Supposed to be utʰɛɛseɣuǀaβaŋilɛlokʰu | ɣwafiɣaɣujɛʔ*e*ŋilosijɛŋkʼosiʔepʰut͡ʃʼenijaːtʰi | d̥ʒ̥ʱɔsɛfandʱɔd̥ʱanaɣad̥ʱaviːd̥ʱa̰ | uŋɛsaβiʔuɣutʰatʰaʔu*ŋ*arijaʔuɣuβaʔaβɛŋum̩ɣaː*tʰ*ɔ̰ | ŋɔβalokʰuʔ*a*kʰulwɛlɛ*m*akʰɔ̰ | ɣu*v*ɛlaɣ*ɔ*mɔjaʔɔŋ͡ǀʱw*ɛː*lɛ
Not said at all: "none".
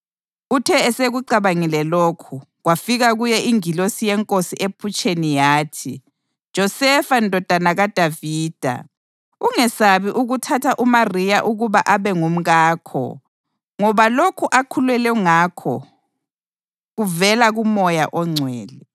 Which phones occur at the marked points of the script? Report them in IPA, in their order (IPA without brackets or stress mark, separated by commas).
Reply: i, m, kʰ, a, ŋ, v, u, ɛː